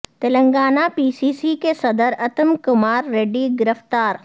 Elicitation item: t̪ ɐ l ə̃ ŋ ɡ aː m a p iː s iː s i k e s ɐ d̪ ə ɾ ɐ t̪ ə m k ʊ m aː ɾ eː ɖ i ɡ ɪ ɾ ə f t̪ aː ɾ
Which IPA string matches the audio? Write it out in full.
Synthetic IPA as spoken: t̪ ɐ l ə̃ ŋ ɡ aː n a p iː s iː s i k e s ɐ d̪ ə ɾ ɐ t̪ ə m k ʊ m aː ɾː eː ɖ i ɡ ɪ ɾ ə f t̪ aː ɾ